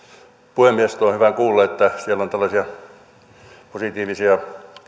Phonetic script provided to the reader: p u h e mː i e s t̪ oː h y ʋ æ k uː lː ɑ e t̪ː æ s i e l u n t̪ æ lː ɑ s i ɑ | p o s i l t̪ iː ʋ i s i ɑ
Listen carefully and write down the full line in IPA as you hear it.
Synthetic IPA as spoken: p u h e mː i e s t̪ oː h y ʋ æ k uː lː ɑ e t̪ː æ s i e l o n t̪ æ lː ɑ s i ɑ | p o s i t̪ iː ʋ i s i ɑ

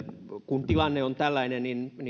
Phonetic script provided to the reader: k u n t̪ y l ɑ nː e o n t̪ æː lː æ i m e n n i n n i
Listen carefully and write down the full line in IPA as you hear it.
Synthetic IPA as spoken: k u n t̪ i l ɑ nː e o n t̪ æ lː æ i n e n n i n n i

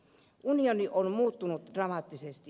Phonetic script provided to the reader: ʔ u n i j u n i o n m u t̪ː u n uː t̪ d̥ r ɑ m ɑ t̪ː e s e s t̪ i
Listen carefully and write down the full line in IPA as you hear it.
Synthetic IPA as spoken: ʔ u n i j o n i o n m uː t̪ː u n u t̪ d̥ r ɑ m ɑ t̪ː i s e s t̪ i

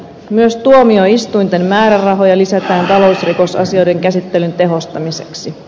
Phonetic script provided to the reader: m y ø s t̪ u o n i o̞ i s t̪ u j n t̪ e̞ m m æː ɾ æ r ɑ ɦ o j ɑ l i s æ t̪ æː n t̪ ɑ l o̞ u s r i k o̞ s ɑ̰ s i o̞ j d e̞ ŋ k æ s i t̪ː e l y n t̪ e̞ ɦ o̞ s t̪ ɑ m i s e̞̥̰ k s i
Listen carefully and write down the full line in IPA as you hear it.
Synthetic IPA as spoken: m y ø s t̪ u o m i o̞ i s t̪ u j n t̪ e̞ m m æː ɾ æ r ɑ ɦ o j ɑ l i s æ t̪ æː n t̪ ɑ l o̞ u s r i k o̞ s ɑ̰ s i o̞ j d e̞ ŋ k æ s i t̪ː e l y n t̪ e̞ ɦ o̞ s t̪ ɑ m i s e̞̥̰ k s i

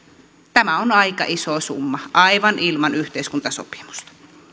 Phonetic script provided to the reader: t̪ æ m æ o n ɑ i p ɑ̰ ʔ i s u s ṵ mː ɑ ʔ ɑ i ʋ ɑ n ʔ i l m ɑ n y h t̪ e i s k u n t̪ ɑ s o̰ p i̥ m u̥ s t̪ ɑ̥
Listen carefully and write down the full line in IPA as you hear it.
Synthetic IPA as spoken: t̪ æ m æ o n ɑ i k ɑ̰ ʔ i s o s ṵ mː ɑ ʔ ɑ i ʋ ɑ n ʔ i l m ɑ n y h t̪ e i s k u n t̪ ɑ s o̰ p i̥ m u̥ s t̪ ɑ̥

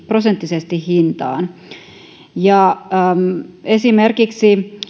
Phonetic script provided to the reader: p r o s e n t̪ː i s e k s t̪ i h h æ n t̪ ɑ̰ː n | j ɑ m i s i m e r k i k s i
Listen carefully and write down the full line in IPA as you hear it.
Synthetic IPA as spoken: p r o s e n t̪ː i s e s t̪ i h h i n t̪ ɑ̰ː n | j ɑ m e s i m e r k i k s i

